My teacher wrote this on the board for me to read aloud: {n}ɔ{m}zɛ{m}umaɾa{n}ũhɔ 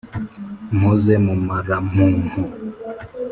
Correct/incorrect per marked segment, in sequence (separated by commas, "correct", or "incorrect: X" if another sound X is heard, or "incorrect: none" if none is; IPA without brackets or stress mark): incorrect: m, incorrect: none, correct, incorrect: m